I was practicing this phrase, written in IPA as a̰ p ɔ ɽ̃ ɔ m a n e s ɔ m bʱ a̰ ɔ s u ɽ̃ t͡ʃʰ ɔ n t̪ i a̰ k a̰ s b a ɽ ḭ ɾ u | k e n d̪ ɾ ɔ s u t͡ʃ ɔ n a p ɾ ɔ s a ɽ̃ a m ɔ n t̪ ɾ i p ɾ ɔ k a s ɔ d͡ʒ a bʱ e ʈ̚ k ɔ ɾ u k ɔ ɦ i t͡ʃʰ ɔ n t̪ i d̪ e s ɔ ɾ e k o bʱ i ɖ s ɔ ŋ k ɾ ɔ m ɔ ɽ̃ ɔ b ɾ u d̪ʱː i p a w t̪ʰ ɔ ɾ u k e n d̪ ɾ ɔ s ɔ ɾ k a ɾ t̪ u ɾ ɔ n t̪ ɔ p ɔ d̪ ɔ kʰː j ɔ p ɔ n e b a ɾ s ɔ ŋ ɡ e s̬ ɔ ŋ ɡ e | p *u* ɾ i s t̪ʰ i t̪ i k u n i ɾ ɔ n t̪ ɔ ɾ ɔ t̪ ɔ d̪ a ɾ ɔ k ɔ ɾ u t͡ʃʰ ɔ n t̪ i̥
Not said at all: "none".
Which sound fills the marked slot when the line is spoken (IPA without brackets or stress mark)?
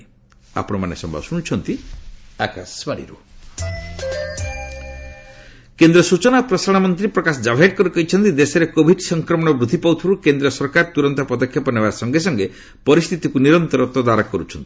ɔ